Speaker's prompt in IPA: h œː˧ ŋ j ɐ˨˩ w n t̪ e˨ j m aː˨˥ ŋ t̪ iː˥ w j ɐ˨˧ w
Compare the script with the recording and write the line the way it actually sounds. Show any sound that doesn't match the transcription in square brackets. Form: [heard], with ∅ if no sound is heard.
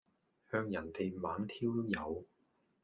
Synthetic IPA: h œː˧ ŋ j ɐ˨˩ [∅] n t̪ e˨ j m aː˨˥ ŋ [t̪ʰ] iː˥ w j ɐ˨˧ w